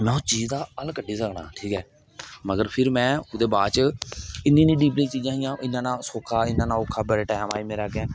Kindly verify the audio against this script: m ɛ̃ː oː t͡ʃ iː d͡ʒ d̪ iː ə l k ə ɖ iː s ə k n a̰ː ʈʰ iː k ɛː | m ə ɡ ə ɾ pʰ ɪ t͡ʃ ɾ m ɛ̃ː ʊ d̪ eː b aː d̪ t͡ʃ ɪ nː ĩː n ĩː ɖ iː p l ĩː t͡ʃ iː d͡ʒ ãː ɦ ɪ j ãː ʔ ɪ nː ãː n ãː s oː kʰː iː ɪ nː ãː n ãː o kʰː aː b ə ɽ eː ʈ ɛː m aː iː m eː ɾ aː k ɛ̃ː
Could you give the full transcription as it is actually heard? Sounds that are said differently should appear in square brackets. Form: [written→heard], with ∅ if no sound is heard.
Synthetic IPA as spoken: m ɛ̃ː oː t͡ʃ iː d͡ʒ d̪ [iː→aː] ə l k ə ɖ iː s ə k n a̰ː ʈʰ iː k ɛː | m ə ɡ ə ɾ pʰ ɪ [t͡ʃ→∅] ɾ m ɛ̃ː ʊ d̪ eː b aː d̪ t͡ʃ ɪ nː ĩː n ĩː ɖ iː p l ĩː t͡ʃ iː d͡ʒ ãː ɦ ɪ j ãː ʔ ɪ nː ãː n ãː s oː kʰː [iː→aː] ɪ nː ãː n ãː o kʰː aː b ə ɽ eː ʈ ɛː m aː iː m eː ɾ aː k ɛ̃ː